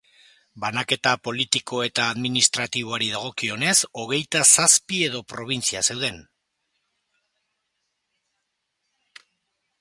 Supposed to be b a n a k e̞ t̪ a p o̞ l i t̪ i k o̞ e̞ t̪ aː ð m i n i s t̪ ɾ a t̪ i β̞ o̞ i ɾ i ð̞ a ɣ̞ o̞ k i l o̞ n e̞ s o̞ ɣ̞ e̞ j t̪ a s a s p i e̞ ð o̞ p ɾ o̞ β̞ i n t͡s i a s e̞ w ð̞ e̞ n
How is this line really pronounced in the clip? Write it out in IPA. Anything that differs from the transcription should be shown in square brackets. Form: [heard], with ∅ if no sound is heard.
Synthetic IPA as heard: b a n a k e̞ t̪ a p o̞ l i t̪ i k o̞ e̞ t̪ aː ð m i n i s t̪ ɾ a t̪ i β̞ o̞ [a] ɾ i ð̞ a ɣ̞ o̞ k i [∅] o̞ n e̞ s o̞ ɣ̞ e̞ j t̪ a s a s p i e̞ ð o̞ p ɾ o̞ β̞ i n t͡s i a s e̞ w ð̞ e̞ n